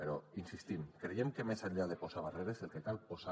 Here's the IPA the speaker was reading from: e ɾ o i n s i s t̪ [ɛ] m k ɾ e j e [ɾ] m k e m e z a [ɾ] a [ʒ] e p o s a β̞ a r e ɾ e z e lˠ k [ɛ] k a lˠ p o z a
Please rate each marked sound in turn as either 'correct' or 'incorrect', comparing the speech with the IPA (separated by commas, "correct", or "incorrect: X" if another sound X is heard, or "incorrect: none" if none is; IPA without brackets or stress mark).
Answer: incorrect: i, incorrect: none, incorrect: ʎ, incorrect: ð, incorrect: e